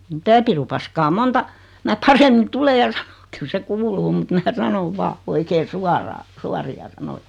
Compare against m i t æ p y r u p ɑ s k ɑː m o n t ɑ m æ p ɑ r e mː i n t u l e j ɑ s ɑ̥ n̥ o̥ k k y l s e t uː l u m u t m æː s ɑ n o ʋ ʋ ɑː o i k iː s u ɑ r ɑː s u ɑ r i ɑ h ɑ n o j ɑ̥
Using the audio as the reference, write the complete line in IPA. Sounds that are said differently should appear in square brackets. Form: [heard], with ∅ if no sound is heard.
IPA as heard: m i t æ p [i] r u p ɑ s k ɑː m o n t ɑ m æ p ɑ r e mː i n t u l e j ɑ s ɑ̥ n̥ o̥ k k y l s e [k] uː l [uː] m u t m æː s ɑ n o ʋ ʋ ɑː o i k [eː] s u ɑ r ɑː s u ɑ r i ɑ [s] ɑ n o j ɑ̥